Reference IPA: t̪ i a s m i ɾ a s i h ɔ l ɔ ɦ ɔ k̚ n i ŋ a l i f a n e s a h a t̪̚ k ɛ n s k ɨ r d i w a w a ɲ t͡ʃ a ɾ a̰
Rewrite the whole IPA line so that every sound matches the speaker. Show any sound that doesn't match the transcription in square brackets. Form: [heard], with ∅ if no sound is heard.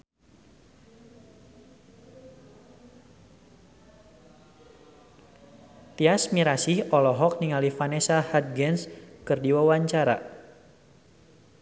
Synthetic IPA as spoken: t̪ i a s m i ɾ a s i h ɔ l ɔ ɦ ɔ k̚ n i ŋ a l i f a n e s a h a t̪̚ [ɡ] ɛ n s k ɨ r d i w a w a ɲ t͡ʃ a ɾ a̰